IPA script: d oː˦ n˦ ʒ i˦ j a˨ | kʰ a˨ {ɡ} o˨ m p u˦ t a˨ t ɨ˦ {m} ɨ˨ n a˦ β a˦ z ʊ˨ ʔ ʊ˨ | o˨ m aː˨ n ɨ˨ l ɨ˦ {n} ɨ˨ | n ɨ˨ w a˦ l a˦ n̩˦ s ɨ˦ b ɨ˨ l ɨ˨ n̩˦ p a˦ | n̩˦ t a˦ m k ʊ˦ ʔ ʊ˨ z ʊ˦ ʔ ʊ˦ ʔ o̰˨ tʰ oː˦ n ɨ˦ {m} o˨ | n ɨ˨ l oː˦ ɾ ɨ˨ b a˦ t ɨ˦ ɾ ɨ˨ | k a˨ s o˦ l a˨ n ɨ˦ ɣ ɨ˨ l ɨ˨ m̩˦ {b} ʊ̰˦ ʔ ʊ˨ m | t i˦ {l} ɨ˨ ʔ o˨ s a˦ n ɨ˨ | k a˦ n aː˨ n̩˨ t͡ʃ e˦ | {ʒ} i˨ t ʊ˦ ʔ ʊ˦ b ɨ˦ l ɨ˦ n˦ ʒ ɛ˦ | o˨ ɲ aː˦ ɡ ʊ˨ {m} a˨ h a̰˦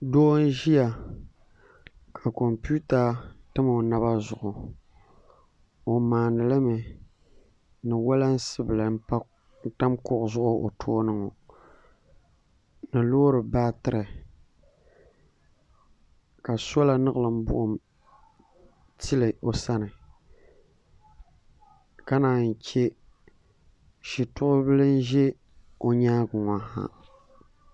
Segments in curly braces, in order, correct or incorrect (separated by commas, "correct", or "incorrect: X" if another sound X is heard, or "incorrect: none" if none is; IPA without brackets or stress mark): incorrect: k, correct, incorrect: m, incorrect: ŋ, correct, correct, incorrect: ʃ, incorrect: ŋ